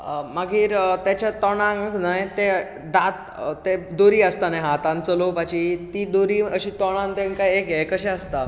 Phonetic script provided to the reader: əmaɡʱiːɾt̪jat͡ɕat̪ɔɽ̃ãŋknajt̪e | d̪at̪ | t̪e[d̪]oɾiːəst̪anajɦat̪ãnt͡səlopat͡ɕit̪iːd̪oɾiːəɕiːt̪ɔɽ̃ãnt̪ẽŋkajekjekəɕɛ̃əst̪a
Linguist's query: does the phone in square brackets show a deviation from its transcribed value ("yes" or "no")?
no